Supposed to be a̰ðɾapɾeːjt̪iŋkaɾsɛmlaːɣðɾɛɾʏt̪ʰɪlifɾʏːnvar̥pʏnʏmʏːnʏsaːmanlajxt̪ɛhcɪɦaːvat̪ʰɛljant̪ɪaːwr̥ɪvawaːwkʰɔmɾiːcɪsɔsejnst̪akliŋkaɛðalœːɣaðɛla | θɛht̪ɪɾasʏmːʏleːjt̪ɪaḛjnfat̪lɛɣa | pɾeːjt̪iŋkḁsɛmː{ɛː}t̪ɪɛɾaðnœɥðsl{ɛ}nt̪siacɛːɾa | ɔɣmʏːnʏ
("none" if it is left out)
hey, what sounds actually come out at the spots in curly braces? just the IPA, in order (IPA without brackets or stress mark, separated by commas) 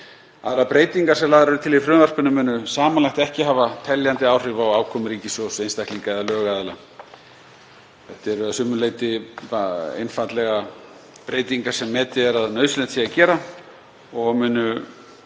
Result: ɛː, ɛ